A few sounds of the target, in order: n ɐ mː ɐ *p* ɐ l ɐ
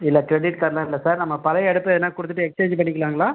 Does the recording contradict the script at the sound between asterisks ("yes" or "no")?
no